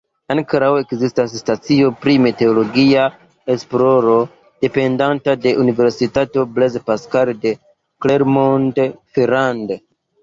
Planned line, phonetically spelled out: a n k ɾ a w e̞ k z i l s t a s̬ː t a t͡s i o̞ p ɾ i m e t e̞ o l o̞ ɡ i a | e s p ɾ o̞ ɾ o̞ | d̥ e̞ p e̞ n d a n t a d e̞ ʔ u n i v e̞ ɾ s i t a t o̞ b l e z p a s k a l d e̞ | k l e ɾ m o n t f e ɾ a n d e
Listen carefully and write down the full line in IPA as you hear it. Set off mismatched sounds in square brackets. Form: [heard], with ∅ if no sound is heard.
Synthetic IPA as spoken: a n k ɾ a w e̞ k z i [∅] s t a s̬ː t a t͡s i o̞ p ɾ i m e t e̞ o l o̞ ɡ i a | e s p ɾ o̞ ɾ o̞ | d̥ e̞ p e̞ n d a n t a d e̞ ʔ u n i v e̞ ɾ s i t a t o̞ b l e z p a s k a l d e̞ | k l e ɾ m o n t f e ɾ a n d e